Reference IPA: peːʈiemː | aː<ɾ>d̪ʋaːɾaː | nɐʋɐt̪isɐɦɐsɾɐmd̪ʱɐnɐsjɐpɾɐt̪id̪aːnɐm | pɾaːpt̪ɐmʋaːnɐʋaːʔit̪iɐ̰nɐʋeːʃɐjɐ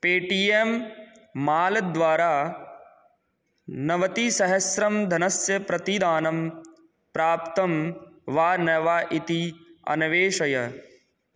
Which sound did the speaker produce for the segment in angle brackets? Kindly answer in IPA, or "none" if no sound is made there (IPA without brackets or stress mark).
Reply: l